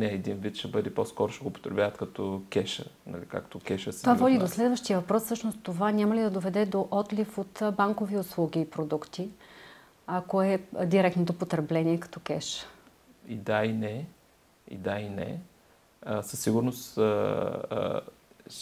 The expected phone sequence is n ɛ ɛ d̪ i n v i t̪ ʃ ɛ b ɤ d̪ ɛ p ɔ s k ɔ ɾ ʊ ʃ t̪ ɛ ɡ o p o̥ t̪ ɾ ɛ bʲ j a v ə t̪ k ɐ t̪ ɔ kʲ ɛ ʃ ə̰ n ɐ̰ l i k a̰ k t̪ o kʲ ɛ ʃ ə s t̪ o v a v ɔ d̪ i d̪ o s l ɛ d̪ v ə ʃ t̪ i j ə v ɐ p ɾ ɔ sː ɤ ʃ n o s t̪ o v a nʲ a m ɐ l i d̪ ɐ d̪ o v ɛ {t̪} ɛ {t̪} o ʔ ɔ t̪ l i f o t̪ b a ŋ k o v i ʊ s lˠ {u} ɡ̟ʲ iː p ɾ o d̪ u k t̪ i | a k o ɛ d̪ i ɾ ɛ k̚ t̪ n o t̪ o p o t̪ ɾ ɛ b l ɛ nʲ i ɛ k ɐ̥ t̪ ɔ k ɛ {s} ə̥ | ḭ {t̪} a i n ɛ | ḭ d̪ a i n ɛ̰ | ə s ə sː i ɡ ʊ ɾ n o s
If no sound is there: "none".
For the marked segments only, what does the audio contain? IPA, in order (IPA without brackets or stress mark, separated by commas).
d̪, d̪, u, ʃ, d̪